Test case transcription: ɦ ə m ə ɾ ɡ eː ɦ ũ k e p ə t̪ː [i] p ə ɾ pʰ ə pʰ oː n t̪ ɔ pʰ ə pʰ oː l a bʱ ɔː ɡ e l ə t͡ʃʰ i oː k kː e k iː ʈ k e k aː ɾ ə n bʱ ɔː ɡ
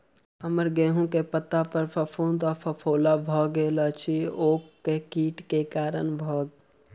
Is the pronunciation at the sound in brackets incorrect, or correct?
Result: incorrect: a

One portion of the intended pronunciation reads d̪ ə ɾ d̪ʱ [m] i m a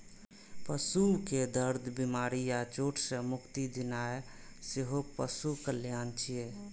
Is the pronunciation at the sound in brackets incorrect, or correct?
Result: incorrect: b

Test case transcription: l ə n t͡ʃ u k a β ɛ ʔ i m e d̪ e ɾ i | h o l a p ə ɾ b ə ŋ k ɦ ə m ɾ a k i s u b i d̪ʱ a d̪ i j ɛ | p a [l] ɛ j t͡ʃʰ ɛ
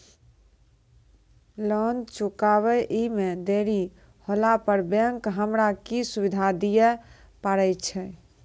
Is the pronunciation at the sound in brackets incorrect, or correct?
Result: incorrect: ɾ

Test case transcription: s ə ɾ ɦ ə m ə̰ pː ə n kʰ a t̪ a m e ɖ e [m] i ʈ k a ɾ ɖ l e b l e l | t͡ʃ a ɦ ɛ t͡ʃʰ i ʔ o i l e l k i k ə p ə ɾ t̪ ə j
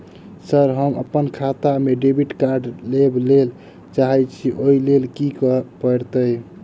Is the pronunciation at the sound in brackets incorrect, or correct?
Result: incorrect: b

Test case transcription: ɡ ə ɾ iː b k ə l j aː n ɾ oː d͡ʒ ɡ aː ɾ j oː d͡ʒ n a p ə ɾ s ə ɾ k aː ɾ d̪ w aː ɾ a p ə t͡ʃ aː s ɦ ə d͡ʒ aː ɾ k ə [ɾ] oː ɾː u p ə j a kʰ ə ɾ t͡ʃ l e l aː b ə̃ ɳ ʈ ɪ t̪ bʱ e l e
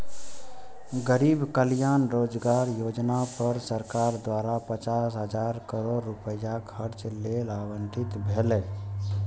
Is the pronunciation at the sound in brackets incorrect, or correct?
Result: correct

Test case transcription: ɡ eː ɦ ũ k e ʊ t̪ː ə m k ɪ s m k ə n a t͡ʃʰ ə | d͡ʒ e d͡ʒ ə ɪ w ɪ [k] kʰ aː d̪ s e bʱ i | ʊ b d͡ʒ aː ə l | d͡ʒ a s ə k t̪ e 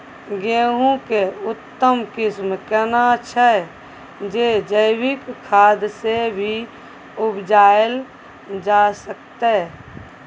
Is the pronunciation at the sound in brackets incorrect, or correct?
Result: correct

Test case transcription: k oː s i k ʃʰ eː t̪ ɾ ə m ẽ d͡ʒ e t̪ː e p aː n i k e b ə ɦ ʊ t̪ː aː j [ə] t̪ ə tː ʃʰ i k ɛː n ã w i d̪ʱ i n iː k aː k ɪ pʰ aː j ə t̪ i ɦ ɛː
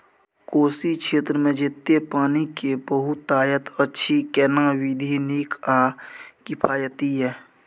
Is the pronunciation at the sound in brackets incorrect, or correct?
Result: correct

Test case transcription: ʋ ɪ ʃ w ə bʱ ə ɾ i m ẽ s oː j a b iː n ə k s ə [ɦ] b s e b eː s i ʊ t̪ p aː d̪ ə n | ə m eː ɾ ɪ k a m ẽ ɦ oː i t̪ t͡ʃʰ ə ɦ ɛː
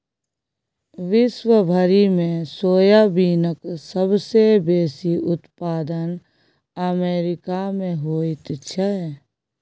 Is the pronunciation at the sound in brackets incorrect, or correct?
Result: incorrect: none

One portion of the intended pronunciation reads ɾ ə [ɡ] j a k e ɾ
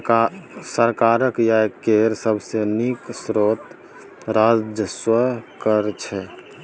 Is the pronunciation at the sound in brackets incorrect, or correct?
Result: incorrect: k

